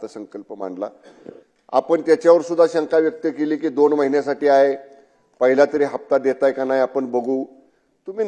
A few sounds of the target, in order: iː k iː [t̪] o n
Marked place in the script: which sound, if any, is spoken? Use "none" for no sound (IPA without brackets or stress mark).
d̪